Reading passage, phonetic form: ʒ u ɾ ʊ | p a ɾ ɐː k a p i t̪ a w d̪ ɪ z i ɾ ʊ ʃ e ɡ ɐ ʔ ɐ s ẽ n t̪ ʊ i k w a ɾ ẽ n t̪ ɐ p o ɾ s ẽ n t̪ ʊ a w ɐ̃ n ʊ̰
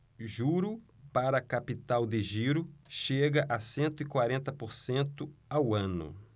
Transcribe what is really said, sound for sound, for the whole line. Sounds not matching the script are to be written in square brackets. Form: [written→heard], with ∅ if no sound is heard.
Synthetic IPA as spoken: ʒ u ɾ ʊ | p a ɾ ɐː k a p i t̪ a w d̪ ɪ [z→ʒ] i ɾ ʊ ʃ e ɡ ɐ ʔ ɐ s ẽ n t̪ ʊ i k w a ɾ ẽ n t̪ ɐ p o ɾ s ẽ n t̪ ʊ a w ɐ̃ n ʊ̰